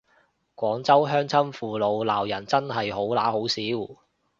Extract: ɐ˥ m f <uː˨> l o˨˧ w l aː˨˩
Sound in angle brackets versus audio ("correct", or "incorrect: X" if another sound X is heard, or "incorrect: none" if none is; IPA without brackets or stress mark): correct